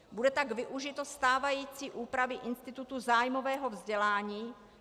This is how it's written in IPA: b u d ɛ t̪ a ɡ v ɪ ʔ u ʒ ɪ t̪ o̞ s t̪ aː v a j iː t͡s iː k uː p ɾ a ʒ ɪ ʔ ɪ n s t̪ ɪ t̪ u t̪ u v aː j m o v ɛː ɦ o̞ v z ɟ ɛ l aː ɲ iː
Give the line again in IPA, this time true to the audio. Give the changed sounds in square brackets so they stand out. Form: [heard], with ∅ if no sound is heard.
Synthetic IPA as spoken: b u d ɛ t̪ a ɡ v ɪ ʔ u ʒ ɪ t̪ o̞ s t̪ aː v a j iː t͡s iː [ʔ] uː p ɾ a [v] ɪ ʔ ɪ n s t̪ ɪ t̪ u t̪ u [z] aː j m o v ɛː ɦ o̞ v z ɟ ɛ l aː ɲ iː